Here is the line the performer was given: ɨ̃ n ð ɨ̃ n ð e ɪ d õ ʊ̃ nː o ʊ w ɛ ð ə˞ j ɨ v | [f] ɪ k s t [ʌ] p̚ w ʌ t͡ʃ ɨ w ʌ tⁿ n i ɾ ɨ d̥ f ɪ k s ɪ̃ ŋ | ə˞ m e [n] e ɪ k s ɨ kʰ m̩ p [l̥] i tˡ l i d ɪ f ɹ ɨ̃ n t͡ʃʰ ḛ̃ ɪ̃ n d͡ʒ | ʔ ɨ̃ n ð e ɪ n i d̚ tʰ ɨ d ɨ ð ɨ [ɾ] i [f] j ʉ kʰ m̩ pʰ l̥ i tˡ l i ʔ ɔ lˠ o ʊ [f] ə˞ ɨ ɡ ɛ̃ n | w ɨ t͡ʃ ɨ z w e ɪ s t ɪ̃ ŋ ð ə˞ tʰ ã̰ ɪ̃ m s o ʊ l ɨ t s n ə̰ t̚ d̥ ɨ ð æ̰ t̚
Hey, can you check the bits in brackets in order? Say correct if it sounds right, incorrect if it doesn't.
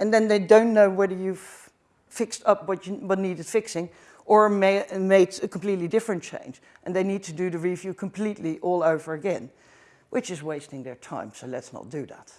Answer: correct, correct, incorrect: m, correct, incorrect: ɹ, incorrect: v, incorrect: v

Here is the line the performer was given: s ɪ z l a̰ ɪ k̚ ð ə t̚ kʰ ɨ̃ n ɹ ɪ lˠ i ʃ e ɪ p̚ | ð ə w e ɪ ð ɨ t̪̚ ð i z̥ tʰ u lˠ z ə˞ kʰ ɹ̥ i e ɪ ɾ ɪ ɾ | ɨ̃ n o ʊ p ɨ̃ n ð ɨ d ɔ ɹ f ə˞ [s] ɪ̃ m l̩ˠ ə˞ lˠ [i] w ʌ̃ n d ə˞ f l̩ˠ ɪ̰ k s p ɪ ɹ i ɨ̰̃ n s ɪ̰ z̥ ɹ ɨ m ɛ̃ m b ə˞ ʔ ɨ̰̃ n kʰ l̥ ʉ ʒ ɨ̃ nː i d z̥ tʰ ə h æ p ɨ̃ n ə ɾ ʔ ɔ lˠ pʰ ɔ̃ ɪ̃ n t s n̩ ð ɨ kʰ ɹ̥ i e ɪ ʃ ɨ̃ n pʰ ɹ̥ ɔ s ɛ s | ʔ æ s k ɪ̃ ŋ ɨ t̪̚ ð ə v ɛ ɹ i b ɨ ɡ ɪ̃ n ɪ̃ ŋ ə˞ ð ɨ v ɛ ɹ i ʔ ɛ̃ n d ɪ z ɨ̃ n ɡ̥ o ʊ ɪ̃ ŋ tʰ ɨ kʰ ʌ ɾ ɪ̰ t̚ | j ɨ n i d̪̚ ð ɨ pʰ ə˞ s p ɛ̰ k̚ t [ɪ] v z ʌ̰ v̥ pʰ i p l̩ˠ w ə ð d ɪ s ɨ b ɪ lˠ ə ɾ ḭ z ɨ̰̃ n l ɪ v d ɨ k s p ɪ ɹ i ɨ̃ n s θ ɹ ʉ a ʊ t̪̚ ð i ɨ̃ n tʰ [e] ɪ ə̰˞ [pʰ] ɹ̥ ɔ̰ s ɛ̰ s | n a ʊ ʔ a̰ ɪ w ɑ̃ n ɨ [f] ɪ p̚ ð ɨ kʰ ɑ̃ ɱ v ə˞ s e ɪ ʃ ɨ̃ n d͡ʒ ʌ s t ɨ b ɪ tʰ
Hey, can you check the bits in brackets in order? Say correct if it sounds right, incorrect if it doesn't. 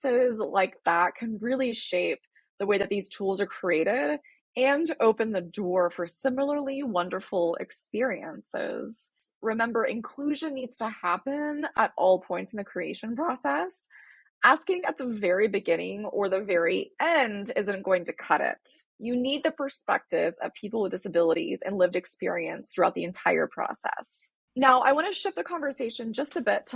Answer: correct, correct, correct, incorrect: a, correct, incorrect: ʃ

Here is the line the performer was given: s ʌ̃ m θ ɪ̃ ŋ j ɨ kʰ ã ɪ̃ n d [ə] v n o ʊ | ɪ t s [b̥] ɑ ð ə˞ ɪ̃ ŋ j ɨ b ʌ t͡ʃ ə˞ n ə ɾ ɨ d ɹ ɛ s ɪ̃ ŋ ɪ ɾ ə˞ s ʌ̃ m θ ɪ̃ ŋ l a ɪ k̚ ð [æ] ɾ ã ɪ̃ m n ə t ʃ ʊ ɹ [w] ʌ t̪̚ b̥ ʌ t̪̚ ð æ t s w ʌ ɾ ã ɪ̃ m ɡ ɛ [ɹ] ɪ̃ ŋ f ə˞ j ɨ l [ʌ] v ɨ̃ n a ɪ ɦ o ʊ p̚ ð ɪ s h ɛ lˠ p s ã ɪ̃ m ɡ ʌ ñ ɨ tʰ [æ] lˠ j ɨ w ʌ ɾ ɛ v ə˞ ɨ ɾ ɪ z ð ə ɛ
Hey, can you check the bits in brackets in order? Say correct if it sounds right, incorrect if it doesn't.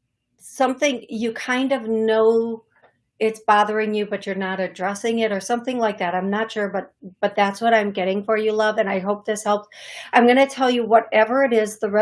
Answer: incorrect: ʌ, correct, correct, incorrect: b, incorrect: ɾ, correct, incorrect: ɛ

